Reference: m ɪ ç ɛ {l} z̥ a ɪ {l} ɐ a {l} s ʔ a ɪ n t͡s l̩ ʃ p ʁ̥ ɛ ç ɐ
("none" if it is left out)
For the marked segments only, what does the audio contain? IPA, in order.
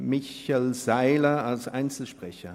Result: l, l, l

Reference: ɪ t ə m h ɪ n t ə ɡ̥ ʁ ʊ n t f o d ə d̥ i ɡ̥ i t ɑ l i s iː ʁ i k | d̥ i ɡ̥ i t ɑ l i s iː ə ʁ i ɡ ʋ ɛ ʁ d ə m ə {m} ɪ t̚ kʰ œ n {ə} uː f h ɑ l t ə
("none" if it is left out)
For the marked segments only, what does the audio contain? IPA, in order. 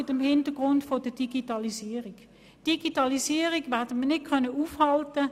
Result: n, ə

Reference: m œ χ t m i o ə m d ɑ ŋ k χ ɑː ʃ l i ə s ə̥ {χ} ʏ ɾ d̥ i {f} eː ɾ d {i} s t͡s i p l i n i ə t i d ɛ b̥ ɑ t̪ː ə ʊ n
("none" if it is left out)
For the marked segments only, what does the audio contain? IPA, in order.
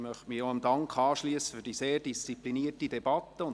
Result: f, s, i

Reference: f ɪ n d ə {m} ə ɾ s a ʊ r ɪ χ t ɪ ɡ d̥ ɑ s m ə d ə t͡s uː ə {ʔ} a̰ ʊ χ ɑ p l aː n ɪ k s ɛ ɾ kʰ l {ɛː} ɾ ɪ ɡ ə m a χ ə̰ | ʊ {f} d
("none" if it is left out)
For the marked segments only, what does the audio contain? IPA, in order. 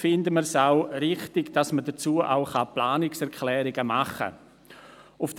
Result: m, ʔ, ɛː, f

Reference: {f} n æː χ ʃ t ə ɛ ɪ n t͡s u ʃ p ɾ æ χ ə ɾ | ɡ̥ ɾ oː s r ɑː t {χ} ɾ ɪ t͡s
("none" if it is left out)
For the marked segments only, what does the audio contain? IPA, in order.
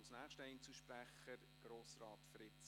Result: s, f

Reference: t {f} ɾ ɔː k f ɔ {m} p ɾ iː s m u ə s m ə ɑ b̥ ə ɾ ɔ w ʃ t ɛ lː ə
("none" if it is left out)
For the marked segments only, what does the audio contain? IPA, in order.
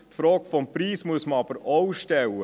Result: f, m

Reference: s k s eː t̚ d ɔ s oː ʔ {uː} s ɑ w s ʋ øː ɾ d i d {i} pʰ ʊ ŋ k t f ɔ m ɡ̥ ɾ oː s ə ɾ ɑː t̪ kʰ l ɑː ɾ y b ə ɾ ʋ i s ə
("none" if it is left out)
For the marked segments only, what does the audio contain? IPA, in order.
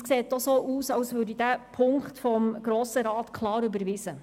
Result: uː, æ

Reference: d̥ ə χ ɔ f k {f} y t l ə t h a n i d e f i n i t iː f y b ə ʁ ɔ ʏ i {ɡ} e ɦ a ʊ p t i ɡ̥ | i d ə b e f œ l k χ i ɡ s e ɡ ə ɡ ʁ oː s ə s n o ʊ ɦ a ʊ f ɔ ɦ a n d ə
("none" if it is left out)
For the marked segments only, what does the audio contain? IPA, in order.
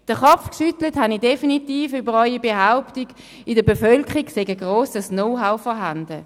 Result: ʃ, b

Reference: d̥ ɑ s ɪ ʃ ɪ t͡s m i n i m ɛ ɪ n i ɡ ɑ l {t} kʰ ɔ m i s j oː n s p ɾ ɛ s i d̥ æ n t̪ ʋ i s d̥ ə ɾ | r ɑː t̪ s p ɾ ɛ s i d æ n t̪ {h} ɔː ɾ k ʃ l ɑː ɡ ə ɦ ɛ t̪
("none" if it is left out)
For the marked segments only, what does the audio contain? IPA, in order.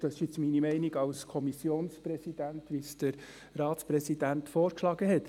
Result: s, f

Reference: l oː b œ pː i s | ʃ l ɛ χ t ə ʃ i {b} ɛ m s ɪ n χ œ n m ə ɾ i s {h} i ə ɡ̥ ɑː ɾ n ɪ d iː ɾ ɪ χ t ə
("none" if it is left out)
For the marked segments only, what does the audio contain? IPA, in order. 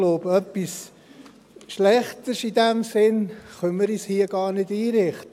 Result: d, h

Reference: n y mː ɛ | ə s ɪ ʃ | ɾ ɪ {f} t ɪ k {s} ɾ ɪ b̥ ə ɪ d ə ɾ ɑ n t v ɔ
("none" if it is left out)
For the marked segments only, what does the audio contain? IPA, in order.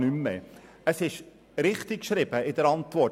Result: χ, ʃ

